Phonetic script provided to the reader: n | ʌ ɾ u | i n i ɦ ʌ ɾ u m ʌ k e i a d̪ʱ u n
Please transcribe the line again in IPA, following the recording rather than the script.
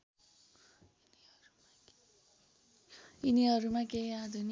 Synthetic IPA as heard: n | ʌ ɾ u | i n i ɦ ʌ ɾ u m a k e i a d̪ʱ u n